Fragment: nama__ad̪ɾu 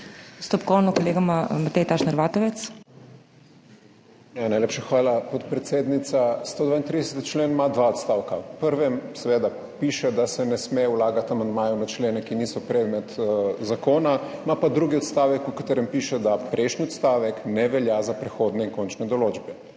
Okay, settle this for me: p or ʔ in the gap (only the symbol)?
p